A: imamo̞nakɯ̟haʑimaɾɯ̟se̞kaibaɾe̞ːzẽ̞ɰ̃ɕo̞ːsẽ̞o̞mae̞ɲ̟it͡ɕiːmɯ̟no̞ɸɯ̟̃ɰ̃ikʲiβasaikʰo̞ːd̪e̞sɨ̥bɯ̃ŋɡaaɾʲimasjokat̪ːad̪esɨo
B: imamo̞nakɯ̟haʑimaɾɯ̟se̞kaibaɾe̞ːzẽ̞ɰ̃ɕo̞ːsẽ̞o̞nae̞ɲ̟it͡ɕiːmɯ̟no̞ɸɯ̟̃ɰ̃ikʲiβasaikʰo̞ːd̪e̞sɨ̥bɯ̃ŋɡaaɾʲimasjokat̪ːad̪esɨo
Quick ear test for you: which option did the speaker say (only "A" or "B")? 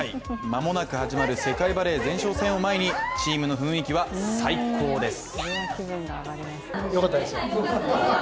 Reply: A